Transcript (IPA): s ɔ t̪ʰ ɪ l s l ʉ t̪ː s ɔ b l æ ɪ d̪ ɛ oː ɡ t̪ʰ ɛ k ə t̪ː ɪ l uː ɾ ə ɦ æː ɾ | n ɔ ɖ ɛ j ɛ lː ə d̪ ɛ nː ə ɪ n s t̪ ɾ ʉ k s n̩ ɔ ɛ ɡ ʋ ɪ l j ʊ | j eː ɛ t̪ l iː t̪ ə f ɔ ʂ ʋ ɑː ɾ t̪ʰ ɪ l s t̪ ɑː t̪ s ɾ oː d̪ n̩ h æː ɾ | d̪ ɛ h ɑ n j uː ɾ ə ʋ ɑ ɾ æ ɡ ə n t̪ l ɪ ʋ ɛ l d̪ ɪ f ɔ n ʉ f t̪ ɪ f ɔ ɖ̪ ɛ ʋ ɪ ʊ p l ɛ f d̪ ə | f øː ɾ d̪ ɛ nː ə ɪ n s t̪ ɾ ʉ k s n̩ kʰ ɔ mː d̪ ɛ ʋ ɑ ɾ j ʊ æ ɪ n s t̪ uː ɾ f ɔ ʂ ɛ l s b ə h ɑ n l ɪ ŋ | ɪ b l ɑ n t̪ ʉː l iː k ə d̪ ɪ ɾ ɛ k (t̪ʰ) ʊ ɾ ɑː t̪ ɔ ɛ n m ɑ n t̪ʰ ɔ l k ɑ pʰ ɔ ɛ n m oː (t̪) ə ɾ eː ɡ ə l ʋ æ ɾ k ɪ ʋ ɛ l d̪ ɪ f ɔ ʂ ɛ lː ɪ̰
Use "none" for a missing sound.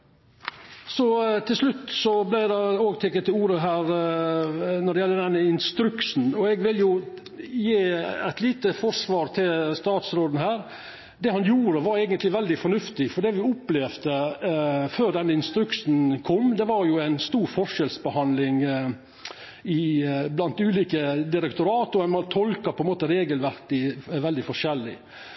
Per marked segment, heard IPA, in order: t̪, t̪

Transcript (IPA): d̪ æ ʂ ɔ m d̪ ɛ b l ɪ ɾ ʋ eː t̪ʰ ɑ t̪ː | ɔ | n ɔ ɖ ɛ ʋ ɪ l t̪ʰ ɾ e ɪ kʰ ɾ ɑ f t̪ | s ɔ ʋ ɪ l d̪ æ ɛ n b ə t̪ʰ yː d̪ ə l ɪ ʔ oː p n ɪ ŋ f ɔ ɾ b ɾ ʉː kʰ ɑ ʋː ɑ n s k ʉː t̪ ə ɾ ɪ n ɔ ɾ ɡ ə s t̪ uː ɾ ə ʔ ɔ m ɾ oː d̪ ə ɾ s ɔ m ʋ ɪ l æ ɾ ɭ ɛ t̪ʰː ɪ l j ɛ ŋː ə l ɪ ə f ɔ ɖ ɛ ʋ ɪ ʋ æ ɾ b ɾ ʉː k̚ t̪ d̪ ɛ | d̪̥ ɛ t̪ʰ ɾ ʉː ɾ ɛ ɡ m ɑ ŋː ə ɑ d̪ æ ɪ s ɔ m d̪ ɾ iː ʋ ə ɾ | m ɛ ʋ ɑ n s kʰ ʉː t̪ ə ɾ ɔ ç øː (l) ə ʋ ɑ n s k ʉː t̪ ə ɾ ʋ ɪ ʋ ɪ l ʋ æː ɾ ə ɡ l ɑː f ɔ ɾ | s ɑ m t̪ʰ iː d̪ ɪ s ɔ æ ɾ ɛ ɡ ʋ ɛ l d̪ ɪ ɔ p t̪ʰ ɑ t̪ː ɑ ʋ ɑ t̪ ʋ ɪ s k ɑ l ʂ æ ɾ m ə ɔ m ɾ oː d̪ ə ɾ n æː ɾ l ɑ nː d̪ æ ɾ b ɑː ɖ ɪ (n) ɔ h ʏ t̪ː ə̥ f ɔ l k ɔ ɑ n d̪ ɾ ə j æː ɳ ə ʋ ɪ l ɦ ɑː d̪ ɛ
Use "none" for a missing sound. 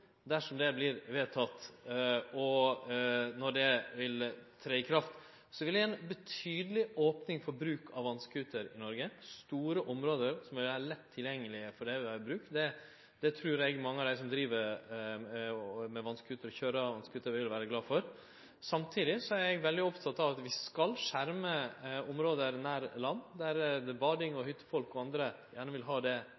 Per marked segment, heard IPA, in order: ɾ, ŋ

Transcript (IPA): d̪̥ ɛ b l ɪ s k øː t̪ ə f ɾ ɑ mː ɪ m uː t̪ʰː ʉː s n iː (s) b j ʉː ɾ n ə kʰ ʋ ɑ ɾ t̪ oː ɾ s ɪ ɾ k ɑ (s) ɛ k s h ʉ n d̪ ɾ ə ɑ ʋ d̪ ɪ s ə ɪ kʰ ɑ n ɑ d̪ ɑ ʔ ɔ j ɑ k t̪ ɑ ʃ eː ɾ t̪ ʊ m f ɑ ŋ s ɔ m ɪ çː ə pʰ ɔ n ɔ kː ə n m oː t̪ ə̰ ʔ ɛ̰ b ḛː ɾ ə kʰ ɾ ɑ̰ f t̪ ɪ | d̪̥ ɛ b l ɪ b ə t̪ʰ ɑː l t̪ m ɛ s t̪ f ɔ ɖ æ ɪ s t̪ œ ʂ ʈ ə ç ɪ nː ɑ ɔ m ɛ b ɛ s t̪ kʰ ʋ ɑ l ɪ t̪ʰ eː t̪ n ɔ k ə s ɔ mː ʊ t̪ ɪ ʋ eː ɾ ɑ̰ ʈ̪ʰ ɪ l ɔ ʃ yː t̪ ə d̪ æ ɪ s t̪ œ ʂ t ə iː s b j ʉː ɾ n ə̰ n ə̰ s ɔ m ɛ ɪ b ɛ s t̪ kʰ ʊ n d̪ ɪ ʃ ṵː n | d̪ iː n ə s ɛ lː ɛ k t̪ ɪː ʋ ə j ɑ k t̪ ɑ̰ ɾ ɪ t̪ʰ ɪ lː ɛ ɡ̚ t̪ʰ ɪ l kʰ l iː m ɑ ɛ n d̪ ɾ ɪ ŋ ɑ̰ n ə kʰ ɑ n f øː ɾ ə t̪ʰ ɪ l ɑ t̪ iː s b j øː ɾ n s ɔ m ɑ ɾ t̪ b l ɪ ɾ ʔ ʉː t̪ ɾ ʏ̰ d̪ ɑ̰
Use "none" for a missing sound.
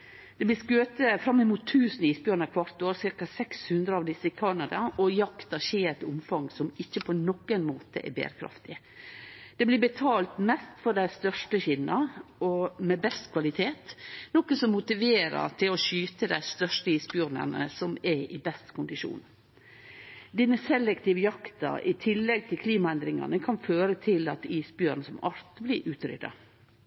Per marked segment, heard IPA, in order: s, s

